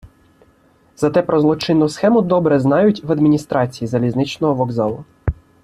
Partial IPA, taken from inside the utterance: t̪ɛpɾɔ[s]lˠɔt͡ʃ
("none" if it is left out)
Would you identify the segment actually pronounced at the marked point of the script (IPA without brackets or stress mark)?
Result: z